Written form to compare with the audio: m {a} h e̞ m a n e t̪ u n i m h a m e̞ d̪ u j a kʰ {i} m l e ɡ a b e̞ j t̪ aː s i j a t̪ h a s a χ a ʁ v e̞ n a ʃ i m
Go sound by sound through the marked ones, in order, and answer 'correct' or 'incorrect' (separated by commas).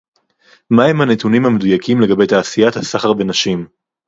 correct, correct